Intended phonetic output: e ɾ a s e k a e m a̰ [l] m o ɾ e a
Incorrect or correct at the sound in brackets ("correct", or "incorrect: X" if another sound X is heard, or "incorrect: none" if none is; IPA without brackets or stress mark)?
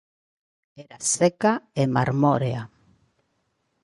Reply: incorrect: ɾ